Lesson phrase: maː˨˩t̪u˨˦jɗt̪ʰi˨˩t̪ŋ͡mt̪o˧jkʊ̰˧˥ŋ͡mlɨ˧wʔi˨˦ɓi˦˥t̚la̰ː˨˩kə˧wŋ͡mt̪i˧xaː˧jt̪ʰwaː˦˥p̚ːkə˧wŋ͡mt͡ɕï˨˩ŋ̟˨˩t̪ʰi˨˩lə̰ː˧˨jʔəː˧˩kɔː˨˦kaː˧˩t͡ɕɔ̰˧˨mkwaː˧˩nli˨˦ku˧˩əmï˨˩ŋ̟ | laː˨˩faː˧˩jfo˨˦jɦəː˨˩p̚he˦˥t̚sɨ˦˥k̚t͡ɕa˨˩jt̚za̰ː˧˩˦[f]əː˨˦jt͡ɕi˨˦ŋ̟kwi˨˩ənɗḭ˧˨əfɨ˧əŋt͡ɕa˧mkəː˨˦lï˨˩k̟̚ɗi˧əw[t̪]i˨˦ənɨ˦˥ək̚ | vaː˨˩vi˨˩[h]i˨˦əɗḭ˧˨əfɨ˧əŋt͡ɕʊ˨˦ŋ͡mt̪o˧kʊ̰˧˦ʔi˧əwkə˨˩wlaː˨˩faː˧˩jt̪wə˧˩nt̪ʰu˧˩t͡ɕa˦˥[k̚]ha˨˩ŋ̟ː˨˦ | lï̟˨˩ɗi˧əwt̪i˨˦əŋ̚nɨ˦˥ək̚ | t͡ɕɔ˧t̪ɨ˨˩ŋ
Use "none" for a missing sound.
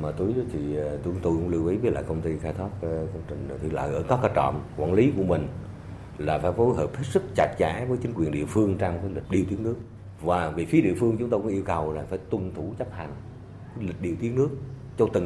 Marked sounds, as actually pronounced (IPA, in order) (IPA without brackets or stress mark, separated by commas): v, t̪, f, p̚